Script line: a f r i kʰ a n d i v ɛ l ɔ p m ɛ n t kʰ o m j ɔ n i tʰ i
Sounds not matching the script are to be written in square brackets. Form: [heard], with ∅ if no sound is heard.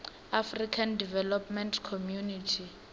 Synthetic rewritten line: a f r i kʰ a n d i v ɛ l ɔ p m ɛ n t kʰ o m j [u] n i tʰ i